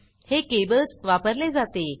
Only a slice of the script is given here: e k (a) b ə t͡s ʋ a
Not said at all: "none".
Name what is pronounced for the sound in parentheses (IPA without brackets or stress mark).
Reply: e